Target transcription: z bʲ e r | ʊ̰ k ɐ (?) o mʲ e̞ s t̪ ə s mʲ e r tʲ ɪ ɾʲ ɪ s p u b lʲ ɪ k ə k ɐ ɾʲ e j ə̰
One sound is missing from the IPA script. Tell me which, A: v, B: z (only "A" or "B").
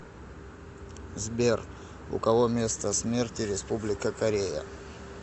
A